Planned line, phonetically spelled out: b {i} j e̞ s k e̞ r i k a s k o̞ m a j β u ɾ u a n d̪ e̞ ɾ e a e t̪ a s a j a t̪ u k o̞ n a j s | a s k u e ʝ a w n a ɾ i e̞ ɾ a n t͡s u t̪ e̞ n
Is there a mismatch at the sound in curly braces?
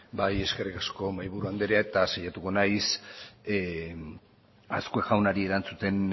yes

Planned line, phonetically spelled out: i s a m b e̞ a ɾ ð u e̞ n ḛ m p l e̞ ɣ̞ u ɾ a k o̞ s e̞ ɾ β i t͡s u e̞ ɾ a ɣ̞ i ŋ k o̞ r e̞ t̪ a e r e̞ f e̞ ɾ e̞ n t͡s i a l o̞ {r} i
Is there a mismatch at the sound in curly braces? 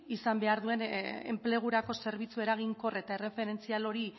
yes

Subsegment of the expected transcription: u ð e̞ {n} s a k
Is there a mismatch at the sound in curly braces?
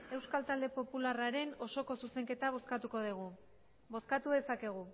yes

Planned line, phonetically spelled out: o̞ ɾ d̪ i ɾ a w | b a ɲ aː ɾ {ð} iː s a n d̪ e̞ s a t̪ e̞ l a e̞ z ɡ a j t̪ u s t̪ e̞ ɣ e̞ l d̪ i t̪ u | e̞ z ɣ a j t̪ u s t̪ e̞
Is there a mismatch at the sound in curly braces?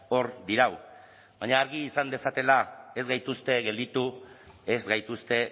yes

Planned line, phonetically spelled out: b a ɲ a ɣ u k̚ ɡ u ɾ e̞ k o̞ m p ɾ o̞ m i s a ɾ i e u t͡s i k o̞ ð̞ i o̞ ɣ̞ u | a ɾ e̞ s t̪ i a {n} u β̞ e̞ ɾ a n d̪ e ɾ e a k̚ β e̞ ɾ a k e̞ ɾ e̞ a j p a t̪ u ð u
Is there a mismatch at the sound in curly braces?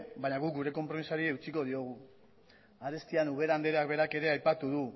no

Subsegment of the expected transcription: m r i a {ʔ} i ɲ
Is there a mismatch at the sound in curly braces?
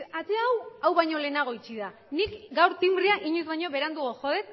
no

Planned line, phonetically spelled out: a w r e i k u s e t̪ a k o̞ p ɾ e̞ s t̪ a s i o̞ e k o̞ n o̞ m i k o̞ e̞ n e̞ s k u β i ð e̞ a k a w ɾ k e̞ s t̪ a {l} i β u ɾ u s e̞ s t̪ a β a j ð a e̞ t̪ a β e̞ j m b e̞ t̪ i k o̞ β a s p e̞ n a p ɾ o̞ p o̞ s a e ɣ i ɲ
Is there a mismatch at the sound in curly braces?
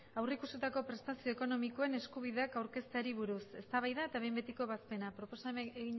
yes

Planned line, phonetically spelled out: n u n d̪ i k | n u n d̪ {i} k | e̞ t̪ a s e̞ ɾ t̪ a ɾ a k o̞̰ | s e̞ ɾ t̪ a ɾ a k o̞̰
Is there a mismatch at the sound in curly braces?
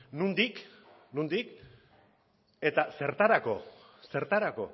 no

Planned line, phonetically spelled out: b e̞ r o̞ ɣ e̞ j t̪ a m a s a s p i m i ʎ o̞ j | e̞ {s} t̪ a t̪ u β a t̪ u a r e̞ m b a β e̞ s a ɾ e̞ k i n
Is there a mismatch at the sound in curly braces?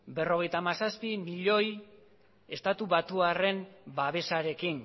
no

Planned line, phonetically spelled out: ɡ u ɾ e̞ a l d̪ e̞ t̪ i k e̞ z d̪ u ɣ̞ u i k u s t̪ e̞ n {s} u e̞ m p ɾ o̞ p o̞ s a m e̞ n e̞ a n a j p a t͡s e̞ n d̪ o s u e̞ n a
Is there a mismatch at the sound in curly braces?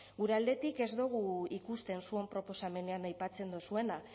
no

